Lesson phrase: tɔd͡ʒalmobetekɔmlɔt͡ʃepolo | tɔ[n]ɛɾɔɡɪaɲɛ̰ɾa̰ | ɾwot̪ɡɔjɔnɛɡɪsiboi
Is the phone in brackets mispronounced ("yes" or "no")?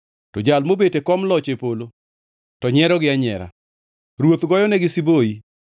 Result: yes